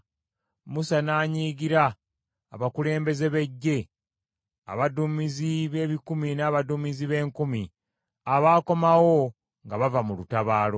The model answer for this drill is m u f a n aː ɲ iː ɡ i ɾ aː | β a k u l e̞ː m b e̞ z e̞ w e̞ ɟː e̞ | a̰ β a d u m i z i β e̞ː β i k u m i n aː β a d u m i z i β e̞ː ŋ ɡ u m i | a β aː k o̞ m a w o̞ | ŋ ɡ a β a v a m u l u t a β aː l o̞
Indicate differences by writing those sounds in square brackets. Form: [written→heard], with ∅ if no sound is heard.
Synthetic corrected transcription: m u [f→s] a n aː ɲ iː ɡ i ɾ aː | β a k u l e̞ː m b e̞ z e̞ [w→β] e̞ ɟː e̞ | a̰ β a d u m i z i β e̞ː β i k u m i n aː β a d u m i z i β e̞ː ŋ [ɡ→k] u m i | a β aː k o̞ m a w o̞ | ŋ ɡ a β a v a m u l u t a β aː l o̞

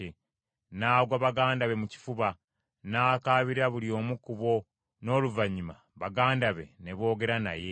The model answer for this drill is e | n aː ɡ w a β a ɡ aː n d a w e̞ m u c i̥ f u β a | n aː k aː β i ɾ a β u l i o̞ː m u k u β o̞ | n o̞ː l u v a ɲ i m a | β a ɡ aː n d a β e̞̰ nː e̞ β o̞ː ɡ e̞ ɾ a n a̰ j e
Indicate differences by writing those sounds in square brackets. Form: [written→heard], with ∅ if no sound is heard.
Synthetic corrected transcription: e | n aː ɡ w a β a ɡ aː n d a [w→β] e̞ m u c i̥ f u β a | n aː k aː β i ɾ a β u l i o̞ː m u k u β o̞ | n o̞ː l u v a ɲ i m a | β a ɡ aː n d a β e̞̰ [nː→n] e̞ β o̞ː ɡ e̞ ɾ a n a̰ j e

